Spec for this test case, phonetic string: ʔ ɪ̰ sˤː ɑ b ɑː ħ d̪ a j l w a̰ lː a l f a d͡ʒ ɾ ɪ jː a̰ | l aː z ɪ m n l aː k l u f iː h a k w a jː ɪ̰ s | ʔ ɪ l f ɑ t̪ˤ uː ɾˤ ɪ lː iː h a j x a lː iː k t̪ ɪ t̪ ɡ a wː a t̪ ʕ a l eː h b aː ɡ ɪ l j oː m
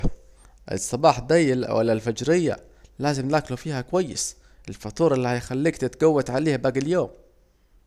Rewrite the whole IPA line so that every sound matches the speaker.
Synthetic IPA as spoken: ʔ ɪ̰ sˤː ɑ b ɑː ħ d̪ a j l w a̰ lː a l f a d͡ʒ ɾ ɪ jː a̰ | l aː z ɪ m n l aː k l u f iː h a k w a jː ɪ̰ s | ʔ ɪ l f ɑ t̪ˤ uː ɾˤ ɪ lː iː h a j x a lː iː k t̪ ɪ t̪ ɡ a wː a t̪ ʕ a l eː h b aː ɡ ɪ l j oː m